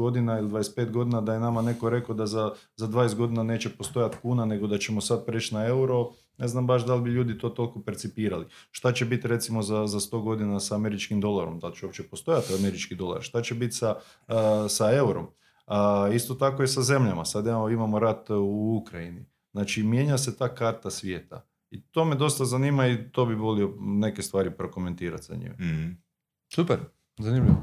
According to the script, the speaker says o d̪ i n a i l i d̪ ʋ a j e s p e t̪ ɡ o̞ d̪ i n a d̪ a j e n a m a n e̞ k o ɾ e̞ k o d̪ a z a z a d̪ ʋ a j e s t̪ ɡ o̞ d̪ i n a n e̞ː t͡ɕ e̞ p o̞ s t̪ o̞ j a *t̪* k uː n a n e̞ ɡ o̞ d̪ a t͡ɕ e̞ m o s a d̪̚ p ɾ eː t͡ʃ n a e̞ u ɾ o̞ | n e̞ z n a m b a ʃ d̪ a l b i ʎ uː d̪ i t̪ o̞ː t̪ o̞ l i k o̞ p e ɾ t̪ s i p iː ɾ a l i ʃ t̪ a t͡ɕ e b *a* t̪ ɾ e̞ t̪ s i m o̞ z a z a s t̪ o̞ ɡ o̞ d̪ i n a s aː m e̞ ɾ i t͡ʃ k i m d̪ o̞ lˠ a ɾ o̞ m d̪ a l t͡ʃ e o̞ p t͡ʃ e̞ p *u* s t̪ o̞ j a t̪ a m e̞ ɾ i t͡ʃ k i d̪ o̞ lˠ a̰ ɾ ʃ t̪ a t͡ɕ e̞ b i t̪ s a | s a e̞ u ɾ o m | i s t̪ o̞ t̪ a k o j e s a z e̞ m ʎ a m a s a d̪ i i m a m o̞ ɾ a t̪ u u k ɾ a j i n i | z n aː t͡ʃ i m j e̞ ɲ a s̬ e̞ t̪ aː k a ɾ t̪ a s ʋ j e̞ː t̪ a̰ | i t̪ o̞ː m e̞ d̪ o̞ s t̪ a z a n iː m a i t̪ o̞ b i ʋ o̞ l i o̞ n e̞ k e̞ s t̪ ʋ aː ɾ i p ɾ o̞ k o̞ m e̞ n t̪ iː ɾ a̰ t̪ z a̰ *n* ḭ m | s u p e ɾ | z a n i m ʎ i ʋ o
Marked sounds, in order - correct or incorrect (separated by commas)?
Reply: correct, incorrect, incorrect, incorrect